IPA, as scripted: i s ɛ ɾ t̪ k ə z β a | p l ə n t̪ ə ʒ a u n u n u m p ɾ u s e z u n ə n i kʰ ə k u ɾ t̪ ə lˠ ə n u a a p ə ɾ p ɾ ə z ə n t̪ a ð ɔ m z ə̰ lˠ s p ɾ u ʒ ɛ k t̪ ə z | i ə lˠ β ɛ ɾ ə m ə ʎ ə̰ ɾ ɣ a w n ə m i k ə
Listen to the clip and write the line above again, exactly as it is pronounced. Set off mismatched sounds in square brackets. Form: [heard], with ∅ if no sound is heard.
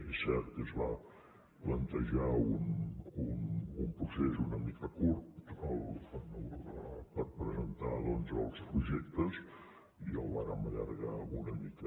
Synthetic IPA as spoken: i s ɛ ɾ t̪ k ə z β a | p l ə n t̪ ə ʒ a u n u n u m p ɾ u s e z u n ə [m] i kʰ ə k u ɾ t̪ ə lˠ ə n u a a p ə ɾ p ɾ ə z ə n t̪ a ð ɔ [n] z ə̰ lˠ s p ɾ u ʒ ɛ k t̪ ə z | i ə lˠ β [a] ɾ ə m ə ʎ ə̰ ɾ ɣ a [u] n ə m i k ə